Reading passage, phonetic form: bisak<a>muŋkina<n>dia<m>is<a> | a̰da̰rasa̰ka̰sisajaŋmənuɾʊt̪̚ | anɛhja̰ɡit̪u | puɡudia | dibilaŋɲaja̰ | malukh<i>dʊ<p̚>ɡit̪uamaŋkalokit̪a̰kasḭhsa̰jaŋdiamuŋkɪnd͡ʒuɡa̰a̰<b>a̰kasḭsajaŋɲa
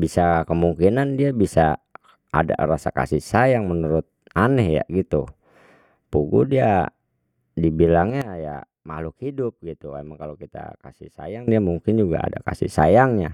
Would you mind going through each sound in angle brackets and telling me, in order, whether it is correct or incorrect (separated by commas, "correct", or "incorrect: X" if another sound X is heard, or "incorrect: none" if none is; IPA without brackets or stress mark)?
incorrect: ə, correct, incorrect: b, correct, correct, correct, incorrect: d